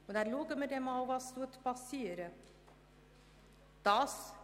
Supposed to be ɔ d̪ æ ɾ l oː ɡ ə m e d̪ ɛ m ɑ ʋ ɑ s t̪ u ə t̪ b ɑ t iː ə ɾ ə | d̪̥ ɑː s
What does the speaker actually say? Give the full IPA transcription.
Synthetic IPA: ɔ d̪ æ ɾ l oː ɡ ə m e d̪ ɛ m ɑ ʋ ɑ s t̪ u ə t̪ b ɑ s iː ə ɾ ə | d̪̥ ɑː s